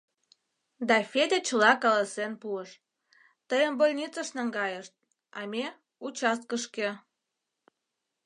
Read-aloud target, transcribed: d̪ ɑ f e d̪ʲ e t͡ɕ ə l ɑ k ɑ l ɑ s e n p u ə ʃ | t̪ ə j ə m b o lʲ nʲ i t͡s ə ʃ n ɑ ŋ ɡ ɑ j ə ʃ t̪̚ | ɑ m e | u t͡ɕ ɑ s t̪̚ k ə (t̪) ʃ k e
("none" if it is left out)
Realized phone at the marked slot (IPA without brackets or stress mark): none